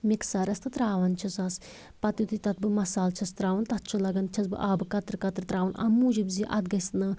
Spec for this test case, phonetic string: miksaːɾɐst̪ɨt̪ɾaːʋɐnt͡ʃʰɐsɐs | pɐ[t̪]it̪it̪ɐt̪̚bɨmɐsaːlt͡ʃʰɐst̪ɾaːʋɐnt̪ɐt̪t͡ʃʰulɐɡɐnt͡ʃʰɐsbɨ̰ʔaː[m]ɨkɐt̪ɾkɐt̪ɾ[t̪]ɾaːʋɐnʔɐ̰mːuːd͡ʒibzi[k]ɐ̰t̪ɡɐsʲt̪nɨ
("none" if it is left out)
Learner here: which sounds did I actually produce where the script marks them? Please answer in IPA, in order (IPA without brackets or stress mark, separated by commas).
t̪, b, t̪, ʔ